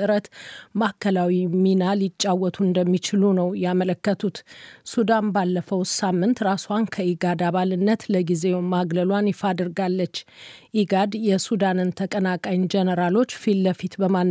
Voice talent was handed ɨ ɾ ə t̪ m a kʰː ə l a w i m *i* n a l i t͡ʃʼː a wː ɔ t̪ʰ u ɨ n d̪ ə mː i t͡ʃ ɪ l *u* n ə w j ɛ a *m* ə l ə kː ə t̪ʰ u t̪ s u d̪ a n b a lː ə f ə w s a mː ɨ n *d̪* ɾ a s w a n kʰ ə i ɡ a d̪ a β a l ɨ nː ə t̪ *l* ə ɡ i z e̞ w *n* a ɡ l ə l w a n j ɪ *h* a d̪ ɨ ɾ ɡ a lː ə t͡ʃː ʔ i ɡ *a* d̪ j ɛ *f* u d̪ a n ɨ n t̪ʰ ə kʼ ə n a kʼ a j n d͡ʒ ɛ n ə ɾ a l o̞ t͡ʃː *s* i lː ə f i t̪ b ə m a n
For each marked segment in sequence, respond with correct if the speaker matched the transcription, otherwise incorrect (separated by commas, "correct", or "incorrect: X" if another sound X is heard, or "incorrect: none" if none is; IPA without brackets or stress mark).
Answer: correct, correct, correct, incorrect: t̪, correct, incorrect: m, incorrect: f, correct, incorrect: s, incorrect: f